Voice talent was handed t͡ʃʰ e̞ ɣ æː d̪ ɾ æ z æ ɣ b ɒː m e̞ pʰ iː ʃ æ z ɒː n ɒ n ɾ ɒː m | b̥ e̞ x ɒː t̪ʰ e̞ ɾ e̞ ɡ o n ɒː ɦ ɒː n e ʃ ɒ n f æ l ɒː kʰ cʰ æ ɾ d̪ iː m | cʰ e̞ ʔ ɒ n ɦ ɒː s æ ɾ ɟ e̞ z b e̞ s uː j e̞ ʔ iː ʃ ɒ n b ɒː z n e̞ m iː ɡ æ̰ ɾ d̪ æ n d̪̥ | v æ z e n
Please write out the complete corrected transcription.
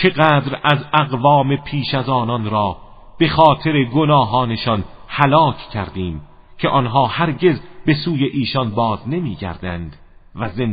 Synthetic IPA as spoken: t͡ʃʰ e̞ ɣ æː d̪ ɾ æ z æ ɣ v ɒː m e̞ pʰ iː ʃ æ z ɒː n ɒ n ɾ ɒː | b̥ e̞ x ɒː t̪ʰ e̞ ɾ e̞ ɡ o n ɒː ɦ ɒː n e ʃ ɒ n h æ l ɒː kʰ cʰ æ ɾ d̪ iː m | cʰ e̞ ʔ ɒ n ɦ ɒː h æ ɾ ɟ e̞ z b e̞ s uː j e̞ ʔ iː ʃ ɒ n b ɒː z n e̞ m iː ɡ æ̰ ɾ d̪ æ n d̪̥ | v æ z e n